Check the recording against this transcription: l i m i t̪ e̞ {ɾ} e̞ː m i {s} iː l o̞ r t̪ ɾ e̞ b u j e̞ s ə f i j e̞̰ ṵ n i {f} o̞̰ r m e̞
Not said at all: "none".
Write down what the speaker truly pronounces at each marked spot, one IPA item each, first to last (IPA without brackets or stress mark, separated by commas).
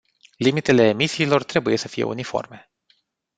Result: l, s, f